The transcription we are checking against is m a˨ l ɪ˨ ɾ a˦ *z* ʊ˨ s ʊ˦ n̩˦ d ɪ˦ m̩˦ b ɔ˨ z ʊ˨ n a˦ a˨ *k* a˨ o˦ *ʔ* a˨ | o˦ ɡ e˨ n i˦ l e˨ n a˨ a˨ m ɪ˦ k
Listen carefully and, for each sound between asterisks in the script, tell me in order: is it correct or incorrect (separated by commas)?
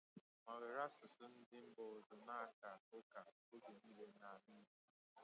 incorrect, correct, incorrect